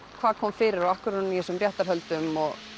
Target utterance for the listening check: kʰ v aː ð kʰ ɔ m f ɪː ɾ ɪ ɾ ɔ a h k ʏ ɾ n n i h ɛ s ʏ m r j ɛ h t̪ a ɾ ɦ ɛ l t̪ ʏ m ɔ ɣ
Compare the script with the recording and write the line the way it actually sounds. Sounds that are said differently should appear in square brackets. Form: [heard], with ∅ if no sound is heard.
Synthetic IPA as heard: kʰ v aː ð kʰ ɔ m f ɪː ɾ ɪ ɾ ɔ a h k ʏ ɾ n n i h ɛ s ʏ m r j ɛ h t̪ a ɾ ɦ [œ] l t̪ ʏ m ɔ ɣ